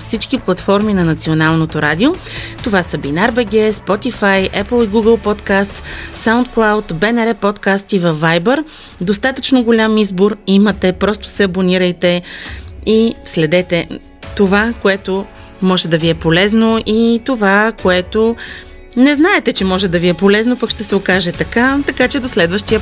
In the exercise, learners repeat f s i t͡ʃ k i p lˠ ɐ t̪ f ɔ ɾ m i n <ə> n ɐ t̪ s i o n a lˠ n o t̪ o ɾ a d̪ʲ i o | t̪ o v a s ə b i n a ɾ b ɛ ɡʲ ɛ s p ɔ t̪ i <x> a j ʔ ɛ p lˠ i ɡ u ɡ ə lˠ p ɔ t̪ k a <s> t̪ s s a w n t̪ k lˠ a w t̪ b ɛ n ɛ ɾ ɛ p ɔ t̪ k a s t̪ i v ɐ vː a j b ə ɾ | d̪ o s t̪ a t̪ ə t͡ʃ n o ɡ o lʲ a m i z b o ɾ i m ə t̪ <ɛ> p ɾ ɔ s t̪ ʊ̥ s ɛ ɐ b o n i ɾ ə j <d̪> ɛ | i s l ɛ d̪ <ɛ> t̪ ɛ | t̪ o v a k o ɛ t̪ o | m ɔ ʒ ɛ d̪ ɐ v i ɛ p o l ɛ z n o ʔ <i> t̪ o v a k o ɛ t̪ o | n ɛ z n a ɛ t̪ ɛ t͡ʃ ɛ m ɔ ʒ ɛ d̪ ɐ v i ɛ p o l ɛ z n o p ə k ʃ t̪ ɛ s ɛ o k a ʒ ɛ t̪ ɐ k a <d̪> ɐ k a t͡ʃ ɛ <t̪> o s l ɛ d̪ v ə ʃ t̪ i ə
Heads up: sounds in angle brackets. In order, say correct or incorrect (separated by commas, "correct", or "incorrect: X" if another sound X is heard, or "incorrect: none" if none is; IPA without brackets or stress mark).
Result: incorrect: ɐ, incorrect: f, correct, correct, incorrect: t̪, correct, correct, incorrect: t̪, incorrect: d̪